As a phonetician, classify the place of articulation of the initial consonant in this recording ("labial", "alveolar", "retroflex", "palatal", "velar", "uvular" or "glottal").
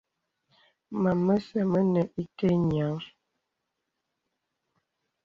labial